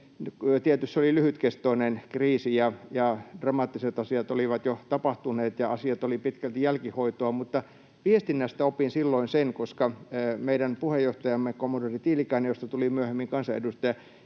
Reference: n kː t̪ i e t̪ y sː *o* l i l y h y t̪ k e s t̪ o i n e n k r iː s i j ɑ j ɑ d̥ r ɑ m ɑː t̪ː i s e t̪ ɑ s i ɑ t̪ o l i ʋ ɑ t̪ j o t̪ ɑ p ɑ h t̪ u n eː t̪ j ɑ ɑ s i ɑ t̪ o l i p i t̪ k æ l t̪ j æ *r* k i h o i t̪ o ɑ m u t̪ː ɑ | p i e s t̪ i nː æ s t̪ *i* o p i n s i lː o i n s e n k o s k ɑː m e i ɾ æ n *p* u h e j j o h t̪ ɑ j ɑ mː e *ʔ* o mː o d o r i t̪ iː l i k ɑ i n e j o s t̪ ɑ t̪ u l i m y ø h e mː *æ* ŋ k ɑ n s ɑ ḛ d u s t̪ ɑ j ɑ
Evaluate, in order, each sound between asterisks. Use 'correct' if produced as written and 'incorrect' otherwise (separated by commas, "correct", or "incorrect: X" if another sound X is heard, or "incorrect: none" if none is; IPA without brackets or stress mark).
correct, incorrect: l, incorrect: æ, correct, incorrect: k, incorrect: i